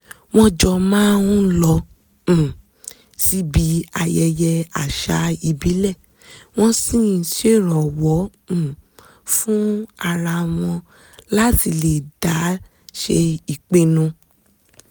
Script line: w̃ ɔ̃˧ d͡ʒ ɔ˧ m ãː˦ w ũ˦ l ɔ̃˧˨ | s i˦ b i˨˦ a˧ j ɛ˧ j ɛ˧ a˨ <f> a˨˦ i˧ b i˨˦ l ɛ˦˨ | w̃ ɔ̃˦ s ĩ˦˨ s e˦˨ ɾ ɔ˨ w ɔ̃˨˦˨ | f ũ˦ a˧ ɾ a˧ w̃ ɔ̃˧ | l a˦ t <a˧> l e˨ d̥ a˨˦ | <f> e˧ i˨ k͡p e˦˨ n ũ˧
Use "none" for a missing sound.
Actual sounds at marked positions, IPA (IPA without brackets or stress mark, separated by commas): ʃ, i˧, ʃ